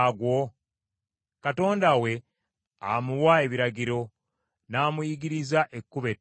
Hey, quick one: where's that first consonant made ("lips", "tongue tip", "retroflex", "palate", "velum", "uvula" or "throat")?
velum